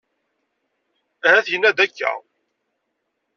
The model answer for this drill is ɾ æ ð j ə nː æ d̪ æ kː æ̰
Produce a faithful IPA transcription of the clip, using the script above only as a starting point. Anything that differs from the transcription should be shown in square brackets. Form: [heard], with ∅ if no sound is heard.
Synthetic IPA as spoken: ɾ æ [θ] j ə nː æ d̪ æ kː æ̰